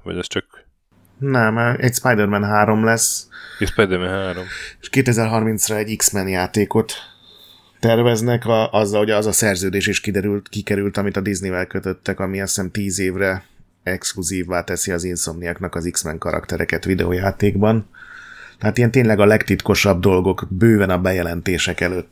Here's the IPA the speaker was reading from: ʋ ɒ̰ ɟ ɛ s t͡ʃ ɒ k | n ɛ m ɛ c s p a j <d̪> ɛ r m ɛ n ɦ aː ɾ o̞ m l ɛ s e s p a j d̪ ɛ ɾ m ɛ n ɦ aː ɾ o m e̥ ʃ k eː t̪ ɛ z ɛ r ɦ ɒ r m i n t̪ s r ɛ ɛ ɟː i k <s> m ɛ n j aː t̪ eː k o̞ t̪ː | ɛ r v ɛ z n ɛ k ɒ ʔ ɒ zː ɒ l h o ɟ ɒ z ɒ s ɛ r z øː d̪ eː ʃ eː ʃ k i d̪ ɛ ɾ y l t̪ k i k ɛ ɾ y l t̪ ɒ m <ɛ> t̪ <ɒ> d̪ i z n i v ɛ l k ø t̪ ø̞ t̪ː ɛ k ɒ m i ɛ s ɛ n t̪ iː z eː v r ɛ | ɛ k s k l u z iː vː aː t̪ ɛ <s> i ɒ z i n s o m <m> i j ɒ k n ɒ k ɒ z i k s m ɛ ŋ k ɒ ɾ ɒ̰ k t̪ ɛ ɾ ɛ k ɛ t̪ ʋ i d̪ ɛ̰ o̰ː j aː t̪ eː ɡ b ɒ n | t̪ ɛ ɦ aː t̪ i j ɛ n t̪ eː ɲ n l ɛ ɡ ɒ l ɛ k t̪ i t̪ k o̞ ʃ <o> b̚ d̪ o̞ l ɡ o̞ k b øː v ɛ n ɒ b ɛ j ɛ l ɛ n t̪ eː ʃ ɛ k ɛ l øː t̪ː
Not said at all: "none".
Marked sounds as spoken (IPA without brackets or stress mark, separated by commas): d̪, s, i, ɒ, s, n, ɒ